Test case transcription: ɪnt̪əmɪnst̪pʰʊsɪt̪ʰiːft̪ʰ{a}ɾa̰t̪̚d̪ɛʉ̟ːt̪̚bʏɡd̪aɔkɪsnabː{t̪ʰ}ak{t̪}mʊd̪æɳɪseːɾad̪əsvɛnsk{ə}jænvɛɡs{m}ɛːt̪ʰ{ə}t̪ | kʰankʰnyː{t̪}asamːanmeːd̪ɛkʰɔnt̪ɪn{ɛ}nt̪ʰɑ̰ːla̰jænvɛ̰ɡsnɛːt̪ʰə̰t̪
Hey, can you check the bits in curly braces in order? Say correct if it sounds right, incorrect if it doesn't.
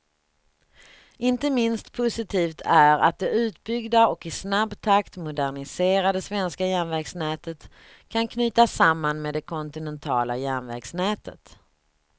incorrect: æ, correct, correct, incorrect: a, incorrect: n, correct, correct, correct

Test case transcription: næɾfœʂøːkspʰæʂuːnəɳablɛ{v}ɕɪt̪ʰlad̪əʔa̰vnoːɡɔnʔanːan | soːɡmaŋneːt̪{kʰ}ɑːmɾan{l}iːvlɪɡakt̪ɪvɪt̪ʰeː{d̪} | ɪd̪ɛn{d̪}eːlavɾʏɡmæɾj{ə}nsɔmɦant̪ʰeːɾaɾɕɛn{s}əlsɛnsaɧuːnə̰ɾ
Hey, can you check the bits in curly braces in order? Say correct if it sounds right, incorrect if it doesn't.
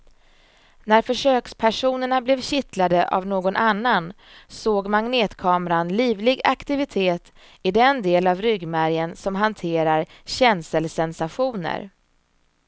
correct, correct, correct, incorrect: t̪, correct, correct, correct

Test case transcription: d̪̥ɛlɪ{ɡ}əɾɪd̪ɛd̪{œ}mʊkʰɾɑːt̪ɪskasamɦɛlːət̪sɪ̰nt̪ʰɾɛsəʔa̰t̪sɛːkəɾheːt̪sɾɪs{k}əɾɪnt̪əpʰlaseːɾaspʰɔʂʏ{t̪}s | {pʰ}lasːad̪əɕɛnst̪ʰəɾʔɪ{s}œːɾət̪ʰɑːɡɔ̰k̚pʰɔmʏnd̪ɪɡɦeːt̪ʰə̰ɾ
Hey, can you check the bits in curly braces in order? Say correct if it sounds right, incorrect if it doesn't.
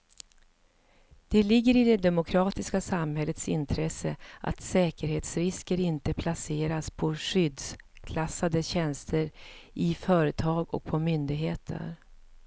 incorrect: ɡː, incorrect: ɛ, correct, incorrect: d̪, incorrect: kʰ, incorrect: f

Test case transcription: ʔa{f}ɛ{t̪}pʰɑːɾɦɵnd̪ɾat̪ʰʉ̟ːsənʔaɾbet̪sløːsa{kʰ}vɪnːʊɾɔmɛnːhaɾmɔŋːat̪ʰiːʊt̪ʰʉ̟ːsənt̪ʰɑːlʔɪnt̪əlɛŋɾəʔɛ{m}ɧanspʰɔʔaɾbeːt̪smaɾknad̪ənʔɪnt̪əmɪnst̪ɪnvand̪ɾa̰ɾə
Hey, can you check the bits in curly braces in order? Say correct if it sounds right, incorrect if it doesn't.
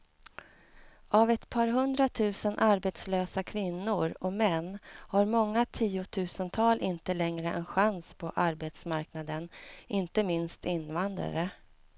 incorrect: v, correct, correct, incorrect: n

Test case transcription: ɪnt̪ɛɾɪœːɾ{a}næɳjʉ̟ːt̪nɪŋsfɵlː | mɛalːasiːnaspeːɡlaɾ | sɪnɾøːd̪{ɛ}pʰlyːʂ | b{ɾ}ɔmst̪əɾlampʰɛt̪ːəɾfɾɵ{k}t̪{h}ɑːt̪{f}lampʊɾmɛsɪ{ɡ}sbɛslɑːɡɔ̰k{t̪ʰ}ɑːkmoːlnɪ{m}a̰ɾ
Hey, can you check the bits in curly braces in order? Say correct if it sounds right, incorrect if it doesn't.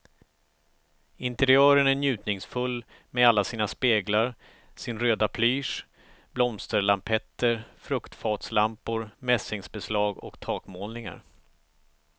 incorrect: ə, incorrect: a, incorrect: l, correct, incorrect: f, incorrect: s, incorrect: ŋ, correct, incorrect: ŋ

